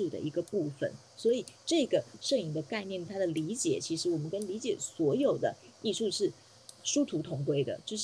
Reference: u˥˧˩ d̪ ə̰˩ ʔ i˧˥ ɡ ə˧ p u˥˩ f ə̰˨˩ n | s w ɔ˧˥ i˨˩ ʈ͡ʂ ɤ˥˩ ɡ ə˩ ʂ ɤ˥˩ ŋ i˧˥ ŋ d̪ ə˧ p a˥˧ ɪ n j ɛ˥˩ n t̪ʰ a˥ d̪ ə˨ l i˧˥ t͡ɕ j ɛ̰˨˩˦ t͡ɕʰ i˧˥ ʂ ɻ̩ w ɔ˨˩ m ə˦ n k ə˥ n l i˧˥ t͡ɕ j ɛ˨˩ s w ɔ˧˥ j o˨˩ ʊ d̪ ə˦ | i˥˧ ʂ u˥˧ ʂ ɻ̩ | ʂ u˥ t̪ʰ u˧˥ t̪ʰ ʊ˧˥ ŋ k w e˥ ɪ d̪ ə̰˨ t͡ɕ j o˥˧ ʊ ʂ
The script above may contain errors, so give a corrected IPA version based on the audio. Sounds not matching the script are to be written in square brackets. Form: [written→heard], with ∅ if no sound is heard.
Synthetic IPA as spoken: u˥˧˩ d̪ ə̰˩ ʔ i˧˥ ɡ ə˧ p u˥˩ f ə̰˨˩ n | s w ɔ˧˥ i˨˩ ʈ͡ʂ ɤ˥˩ ɡ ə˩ ʂ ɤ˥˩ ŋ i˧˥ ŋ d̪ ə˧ [p→k] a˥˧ ɪ n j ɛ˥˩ n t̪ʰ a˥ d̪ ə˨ l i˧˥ t͡ɕ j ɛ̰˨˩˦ t͡ɕʰ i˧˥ ʂ ɻ̩ w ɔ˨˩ m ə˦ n k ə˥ n l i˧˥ t͡ɕ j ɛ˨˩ s w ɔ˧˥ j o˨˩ ʊ d̪ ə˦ | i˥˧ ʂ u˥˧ ʂ ɻ̩ | ʂ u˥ t̪ʰ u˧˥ t̪ʰ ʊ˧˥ ŋ k w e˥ ɪ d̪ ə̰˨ t͡ɕ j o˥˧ ʊ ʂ